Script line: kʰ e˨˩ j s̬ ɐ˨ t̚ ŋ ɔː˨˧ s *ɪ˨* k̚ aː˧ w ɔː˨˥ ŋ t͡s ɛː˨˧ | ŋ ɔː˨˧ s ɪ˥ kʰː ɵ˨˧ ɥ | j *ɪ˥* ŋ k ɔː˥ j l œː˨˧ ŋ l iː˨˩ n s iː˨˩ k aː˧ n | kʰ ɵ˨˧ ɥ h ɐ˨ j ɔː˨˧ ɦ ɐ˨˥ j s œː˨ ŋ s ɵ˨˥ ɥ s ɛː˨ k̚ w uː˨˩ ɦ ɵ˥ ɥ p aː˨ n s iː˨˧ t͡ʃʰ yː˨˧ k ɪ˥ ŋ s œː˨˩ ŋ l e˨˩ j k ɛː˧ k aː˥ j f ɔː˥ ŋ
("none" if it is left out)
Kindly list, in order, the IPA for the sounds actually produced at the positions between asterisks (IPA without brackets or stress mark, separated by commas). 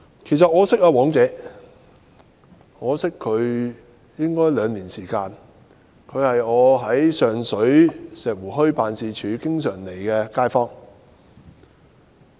ɪ˥, ɪ˥